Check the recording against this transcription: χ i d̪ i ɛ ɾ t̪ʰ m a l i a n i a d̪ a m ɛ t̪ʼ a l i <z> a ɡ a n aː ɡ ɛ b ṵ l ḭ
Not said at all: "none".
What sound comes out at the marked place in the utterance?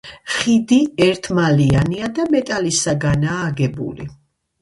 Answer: s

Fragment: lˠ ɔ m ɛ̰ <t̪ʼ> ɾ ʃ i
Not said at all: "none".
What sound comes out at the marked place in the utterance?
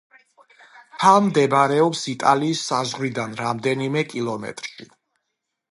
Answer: t̪ʼ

